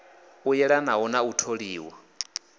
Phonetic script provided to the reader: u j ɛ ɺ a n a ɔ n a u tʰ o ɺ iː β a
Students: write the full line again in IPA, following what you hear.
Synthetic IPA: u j ɛ ɺ a n a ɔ n a u tʰ o ɺ iː w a